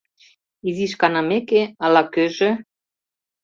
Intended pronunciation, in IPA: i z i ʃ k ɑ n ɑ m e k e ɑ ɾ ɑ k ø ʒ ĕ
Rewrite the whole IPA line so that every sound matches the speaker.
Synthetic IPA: i z i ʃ k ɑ n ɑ m e k e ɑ l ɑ k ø ʒ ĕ